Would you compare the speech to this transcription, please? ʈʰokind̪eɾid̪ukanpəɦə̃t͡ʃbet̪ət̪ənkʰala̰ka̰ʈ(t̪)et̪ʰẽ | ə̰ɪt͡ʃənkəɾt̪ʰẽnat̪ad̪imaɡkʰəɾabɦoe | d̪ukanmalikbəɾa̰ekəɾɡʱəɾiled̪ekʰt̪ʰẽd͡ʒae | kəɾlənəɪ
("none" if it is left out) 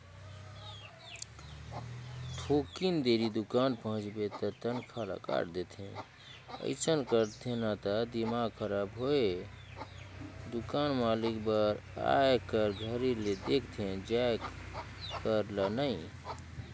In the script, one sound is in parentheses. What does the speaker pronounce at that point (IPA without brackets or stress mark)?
d̪